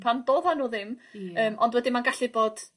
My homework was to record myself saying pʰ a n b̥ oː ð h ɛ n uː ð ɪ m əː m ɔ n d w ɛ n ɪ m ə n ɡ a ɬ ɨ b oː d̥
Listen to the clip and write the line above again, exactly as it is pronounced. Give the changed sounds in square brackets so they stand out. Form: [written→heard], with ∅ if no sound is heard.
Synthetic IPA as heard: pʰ a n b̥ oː ð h [ɛ→a] n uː ð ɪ m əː m ɔ n d w ɛ [n→d] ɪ m [ə→a] n ɡ a ɬ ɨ b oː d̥